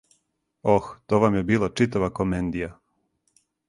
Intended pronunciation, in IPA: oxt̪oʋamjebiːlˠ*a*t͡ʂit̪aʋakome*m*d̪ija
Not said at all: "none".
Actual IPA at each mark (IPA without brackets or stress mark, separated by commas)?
a, n